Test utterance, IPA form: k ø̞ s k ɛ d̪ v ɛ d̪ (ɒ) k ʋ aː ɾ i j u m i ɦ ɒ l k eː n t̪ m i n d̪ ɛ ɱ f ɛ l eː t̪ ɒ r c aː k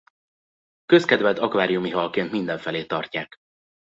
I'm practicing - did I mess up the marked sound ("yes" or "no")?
no